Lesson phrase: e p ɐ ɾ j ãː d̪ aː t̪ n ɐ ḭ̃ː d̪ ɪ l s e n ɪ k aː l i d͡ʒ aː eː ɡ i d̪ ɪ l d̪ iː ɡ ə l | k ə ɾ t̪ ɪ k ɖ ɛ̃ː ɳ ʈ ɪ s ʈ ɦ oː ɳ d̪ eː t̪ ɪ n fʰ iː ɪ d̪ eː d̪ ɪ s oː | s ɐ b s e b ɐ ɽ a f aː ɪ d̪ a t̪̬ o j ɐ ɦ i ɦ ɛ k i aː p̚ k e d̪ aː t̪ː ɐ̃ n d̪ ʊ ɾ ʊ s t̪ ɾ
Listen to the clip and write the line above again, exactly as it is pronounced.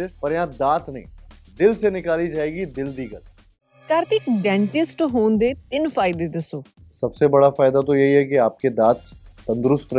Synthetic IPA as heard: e p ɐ ɾ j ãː d̪ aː t̪ n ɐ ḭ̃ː d̪ ɪ l s e n ɪ k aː l i d͡ʒ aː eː ɡ i d̪ ɪ l d̪ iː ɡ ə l | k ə ɾ t̪ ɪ k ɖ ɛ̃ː ɳ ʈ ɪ s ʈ ɦ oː n d̪ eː t̪ ɪ n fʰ aː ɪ d̪ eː d̪ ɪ s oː | s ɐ b s e b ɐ ɽ a f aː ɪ d̪ a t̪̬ o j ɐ ɦ i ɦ ɛ k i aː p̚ k e d̪ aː t̪ː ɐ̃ n d̪ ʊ ɾ ʊ s t̪ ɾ